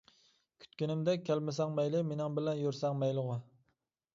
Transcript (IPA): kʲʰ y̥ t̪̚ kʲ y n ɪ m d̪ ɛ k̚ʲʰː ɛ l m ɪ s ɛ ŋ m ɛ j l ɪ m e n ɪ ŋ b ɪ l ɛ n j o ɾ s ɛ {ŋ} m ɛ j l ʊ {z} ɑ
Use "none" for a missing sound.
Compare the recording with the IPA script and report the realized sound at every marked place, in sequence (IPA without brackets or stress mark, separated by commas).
ŋ, ʁ